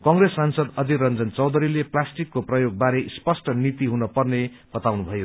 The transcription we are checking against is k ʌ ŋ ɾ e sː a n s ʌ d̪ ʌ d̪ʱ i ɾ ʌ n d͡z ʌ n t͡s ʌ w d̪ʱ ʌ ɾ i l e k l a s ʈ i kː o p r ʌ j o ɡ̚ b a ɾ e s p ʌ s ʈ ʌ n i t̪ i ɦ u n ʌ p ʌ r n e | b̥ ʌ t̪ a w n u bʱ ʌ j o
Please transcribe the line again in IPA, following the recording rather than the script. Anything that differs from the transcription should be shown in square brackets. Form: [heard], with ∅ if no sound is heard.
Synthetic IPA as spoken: k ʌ ŋ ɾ e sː a n s ʌ d̪ ʌ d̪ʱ i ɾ ʌ n d͡z ʌ n t͡s ʌ w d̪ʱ ʌ ɾ i l e [p] l a s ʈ i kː o p r ʌ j o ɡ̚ b a ɾ e s p ʌ s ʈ ʌ n i t̪ i ɦ u n ʌ p ʌ r n e | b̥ ʌ t̪ a w n u bʱ ʌ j o